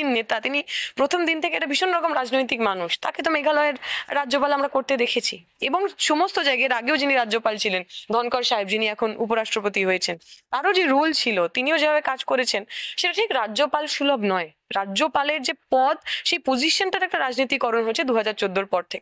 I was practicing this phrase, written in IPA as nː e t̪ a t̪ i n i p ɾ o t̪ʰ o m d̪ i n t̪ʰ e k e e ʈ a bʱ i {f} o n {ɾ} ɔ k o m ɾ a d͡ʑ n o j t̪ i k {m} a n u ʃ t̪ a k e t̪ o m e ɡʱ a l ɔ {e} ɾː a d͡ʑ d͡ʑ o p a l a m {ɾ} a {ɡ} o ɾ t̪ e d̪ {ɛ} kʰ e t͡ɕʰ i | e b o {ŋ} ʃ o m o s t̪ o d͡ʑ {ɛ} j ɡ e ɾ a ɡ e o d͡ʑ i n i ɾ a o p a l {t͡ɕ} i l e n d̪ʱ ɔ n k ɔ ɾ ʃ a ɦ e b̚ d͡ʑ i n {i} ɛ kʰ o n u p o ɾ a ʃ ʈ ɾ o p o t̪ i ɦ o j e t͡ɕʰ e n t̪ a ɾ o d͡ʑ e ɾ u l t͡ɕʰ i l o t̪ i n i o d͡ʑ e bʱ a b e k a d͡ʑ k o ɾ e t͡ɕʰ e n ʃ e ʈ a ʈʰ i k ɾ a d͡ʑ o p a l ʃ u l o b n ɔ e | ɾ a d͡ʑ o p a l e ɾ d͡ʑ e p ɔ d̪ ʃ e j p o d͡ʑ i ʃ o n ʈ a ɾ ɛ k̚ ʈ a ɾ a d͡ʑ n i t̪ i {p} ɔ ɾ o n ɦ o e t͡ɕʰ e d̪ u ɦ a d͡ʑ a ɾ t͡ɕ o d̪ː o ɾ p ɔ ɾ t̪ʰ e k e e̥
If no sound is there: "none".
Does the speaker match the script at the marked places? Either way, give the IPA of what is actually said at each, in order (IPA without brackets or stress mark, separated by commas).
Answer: ʃ, ɾ, m, e, ɾ, k, e, ŋ, a, t͡ɕʰ, i, k